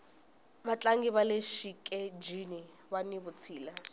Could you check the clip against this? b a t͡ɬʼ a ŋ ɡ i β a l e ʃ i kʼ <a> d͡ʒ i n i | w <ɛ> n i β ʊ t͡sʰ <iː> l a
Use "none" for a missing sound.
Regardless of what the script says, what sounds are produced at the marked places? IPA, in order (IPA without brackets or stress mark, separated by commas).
ɛ, a, iː